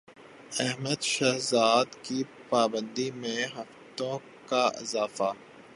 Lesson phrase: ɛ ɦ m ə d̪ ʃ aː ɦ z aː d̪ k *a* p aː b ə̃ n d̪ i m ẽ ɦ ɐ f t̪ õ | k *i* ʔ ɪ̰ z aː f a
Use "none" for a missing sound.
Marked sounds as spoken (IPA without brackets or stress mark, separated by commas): i, a